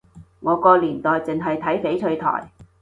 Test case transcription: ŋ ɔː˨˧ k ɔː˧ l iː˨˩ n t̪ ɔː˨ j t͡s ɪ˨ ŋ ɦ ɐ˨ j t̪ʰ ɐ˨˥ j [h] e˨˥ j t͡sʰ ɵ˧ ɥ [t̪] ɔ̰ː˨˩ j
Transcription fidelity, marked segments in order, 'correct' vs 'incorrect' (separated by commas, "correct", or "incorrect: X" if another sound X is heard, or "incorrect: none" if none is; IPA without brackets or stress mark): incorrect: f, incorrect: t̪ʰ